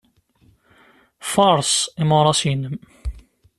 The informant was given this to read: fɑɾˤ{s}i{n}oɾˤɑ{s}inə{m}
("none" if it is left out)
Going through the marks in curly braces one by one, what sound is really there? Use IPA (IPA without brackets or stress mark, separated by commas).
s, m, s, m